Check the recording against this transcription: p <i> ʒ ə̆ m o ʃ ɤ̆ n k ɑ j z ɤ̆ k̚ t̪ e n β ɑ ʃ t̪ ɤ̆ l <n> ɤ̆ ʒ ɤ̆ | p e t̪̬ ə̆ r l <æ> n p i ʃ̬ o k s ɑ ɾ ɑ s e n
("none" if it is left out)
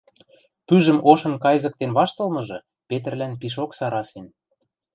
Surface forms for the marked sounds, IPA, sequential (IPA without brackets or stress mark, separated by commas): y, m, æ